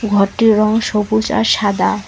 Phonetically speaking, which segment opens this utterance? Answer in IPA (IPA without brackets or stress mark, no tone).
ɡʱ